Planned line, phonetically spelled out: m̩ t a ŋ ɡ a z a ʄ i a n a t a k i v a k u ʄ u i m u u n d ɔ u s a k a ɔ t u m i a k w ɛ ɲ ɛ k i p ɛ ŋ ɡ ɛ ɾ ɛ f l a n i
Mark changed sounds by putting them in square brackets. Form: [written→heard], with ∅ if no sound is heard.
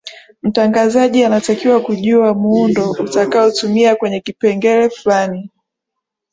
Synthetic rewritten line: m̩ t a ŋ ɡ a z a ʄ i a n a t a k i [v→w] a k u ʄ u [i→a] m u u n d ɔ u [s→t] a k a ɔ t u m i a k w ɛ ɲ ɛ k i p ɛ ŋ ɡ ɛ ɾ ɛ f l a n i